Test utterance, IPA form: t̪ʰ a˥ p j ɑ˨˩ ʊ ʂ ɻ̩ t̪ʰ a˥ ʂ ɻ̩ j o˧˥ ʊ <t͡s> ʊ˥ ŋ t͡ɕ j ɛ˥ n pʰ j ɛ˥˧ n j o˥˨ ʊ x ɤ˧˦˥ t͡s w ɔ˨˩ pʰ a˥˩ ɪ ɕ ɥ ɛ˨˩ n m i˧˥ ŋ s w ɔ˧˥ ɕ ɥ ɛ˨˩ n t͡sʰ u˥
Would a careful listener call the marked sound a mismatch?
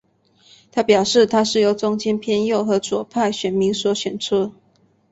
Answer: no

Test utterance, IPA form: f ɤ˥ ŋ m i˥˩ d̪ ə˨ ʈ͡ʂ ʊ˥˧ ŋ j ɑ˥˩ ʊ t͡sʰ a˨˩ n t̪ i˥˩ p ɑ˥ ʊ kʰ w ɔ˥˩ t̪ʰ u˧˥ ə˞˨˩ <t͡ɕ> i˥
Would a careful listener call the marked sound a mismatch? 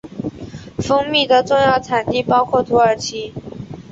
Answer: yes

